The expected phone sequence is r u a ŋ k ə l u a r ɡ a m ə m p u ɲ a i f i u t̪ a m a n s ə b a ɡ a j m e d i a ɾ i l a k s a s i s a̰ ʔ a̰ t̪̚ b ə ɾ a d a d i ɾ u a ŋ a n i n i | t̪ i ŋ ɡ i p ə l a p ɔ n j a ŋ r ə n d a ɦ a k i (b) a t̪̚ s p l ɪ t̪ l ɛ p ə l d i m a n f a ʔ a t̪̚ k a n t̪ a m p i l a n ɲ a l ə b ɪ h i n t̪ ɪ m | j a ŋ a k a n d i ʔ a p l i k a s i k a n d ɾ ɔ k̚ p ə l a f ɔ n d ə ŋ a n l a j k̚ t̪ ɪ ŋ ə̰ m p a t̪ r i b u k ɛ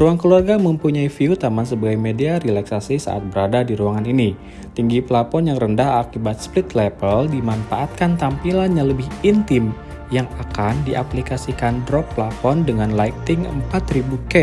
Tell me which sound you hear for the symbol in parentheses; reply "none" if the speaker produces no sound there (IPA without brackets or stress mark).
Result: b